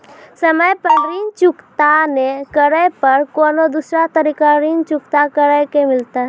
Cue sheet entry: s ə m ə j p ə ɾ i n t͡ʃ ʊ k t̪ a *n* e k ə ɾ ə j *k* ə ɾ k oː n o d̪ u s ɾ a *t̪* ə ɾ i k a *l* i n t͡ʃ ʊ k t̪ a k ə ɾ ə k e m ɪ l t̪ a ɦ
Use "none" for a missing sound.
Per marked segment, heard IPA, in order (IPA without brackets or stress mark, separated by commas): n, p, t̪, ɾ